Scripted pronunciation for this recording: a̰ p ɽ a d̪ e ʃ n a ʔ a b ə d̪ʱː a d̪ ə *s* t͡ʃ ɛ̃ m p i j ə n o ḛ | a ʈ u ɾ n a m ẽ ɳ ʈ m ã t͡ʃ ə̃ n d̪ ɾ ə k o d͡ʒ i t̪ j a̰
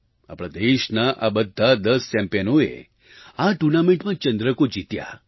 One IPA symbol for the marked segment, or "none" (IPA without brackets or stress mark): s